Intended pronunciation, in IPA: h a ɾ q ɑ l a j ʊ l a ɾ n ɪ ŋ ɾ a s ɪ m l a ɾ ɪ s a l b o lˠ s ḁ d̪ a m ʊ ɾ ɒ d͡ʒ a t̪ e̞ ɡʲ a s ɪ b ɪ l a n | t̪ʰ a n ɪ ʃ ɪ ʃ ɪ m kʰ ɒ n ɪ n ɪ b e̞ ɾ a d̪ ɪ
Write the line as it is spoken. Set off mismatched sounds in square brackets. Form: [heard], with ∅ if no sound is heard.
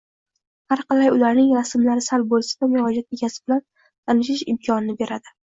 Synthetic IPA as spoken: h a ɾ q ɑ l a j ʊ l a ɾ n ɪ ŋ ɾ a s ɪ m l a ɾ ɪ s a l b o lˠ s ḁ d̪ a m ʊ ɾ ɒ d͡ʒ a t̪ e̞ ɡʲ a s ɪ b ɪ l a n | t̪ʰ a n ɪ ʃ ɪ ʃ ɪ m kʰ ɒ n ɪ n ɪ b e̞ ɾ a d̪ ɪ